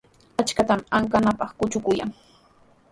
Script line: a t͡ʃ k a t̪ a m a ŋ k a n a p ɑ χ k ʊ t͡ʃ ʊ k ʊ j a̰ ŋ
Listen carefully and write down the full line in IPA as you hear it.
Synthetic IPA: a t͡ʃ k a t̪ a m a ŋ k a n a p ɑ χ k ʊ t͡ʃ ʊ k ʊ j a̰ ŋ